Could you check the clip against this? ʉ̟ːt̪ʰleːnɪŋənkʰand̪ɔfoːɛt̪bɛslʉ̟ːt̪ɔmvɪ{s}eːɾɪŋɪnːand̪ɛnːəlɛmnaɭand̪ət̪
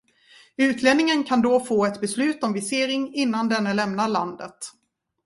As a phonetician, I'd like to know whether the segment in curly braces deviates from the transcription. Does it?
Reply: no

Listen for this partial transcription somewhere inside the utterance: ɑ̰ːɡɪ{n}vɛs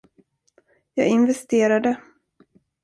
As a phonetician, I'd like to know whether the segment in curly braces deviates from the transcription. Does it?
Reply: no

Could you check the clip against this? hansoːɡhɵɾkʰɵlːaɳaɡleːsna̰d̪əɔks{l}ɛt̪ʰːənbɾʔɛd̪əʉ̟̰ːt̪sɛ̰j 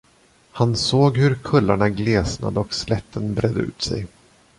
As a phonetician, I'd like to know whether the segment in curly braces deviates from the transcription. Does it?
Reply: no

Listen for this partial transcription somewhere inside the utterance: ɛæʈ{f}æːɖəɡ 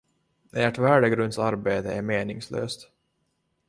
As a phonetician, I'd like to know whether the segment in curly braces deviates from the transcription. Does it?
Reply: yes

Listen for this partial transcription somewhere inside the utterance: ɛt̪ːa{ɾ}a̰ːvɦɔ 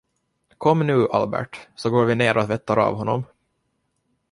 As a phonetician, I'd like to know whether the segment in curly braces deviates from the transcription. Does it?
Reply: no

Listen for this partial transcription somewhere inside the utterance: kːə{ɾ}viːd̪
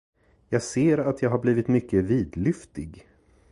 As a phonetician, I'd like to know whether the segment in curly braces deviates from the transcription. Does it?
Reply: yes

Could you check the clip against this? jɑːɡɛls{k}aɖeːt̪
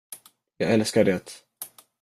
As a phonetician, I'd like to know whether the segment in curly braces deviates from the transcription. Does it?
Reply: no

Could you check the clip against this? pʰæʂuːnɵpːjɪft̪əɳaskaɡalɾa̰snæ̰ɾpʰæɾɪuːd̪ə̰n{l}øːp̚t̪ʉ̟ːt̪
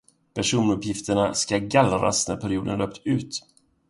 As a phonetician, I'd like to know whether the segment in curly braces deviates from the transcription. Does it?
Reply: no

